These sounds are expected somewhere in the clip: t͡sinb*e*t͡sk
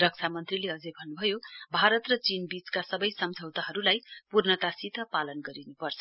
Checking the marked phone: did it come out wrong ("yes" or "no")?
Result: yes